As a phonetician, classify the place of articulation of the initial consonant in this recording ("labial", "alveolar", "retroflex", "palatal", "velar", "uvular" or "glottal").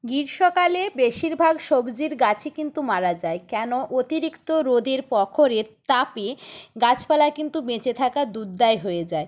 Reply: velar